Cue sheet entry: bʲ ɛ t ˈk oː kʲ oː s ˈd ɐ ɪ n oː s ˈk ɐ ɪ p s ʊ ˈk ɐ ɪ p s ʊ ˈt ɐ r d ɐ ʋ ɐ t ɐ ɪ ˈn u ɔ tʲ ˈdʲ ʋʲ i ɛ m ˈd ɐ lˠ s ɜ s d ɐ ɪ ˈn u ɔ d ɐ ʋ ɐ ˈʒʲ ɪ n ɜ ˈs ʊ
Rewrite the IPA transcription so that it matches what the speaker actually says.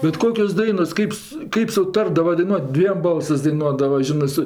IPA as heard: bʲ ɛ t ˈk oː kʲ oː s ˈd ɐ ɪ n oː s ˈk ɐ ɪ p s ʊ ˈk ɐ ɪ p s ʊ ˈt ɐ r d ɐ ʋ ɐ d ɐ ɪ ˈn u ɔ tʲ ˈdʲ ʋʲ i ɛ m ˈb ɐ lˠ s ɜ s d ɐ ɪ ˈn u ɔ d ɐ ʋ ɐ ˈʒʲ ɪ n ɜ ˈs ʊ